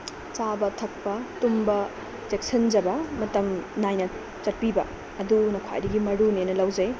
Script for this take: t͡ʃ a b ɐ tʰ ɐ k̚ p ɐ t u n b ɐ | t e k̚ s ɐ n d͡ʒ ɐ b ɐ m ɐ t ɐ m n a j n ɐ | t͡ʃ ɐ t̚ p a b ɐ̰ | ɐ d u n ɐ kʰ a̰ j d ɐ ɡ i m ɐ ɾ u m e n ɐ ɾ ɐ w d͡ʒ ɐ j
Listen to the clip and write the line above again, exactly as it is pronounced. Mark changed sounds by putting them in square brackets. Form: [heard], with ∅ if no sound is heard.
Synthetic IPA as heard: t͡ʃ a b ɐ tʰ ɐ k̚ p ɐ t u [m] b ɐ | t e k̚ s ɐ n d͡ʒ ɐ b ɐ m ɐ t ɐ m n a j n ɐ | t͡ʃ ɐ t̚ p [i] b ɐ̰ | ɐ d u n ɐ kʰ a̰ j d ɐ ɡ i m ɐ ɾ u [n] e n ɐ [l] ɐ w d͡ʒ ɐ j